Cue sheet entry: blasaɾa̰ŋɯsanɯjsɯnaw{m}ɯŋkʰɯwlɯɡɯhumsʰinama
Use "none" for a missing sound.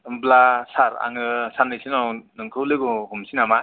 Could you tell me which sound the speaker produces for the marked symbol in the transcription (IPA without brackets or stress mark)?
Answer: n